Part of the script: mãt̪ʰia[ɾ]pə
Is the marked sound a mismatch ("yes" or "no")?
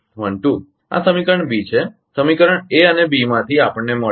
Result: yes